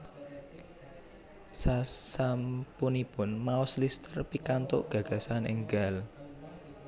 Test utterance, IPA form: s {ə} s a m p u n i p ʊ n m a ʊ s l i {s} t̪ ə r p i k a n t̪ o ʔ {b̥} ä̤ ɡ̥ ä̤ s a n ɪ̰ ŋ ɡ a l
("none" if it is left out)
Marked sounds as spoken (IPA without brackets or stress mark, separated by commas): a, s, ɡ̥